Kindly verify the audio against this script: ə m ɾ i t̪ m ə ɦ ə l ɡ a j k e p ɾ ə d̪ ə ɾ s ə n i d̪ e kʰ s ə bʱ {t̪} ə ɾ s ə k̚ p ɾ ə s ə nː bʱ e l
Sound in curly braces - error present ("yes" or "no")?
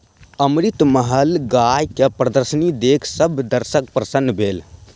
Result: yes